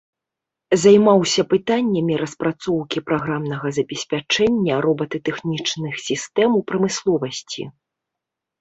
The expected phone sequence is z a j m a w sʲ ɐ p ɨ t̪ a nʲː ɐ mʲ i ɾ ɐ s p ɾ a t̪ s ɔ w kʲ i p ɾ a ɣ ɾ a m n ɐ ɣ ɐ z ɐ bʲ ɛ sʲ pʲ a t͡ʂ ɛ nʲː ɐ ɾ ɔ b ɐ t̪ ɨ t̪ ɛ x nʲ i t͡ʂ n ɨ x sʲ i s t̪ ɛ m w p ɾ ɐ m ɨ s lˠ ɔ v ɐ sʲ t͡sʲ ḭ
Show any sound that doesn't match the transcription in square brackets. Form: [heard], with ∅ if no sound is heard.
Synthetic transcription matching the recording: z a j m a w sʲ ɐ p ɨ t̪ a nʲː ɐ mʲ i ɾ ɐ s p ɾ a t̪ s ɔ w kʲ i p ɾ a ɣ ɾ a m n ɐ ɣ ɐ z ɐ bʲ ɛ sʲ pʲ a t͡ʂ ɛ nʲː ɐ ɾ ɔ b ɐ t̪ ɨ t̪ ɛ x nʲ i t͡ʂ n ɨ x sʲ i s t̪ ɛ m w p ɾ ɐ m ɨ s lˠ ɔ v ɐ sʲ t͡sʲ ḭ